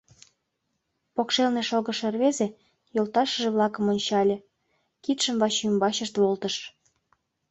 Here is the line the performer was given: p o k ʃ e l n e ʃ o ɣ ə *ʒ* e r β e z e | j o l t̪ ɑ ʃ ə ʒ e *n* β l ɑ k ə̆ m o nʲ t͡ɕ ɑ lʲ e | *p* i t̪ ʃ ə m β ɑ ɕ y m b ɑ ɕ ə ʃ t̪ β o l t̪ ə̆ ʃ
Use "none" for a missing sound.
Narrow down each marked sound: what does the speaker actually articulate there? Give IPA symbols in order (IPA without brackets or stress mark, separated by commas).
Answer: ʃ, none, k